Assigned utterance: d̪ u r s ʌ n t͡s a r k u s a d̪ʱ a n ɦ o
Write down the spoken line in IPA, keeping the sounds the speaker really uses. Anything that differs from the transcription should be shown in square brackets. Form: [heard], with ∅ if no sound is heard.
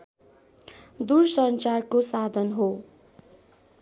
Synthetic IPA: d̪ u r s ʌ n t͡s a r k [o] s a d̪ʱ [ʌ] n ɦ o